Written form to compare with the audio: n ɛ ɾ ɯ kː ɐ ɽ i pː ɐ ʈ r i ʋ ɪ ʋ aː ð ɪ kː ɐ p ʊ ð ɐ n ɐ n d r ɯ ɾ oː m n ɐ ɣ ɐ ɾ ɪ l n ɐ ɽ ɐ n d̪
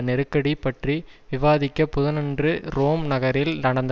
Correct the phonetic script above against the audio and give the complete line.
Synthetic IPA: n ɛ ɾ ɯ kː ɐ ɽ i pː ɐ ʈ r i ʋ ɪ ʋ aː ð ɪ kː ɐ p ʊ ð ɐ n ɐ n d r ɯ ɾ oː m n ɐ ɣ ɐ ɾ ɪ l n ɐ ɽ ɐ n d̪